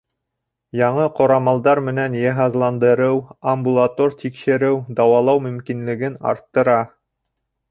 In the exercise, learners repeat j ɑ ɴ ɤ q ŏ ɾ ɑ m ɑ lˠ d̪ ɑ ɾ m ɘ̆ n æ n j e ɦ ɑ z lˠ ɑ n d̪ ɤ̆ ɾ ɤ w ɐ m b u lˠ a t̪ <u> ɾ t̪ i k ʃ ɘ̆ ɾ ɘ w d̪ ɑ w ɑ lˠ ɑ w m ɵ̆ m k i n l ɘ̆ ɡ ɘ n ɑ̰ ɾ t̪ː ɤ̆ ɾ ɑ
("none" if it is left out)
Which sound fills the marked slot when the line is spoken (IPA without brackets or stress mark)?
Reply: o